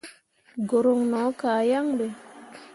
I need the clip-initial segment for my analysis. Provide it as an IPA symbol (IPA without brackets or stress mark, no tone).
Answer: ɡ